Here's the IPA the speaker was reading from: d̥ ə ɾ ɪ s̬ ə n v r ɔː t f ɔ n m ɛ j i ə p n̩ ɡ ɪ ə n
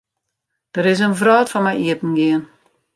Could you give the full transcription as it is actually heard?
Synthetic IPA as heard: d̥ ə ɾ ɪ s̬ ə n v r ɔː t f ɔ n m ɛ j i ə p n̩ ɡ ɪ ə n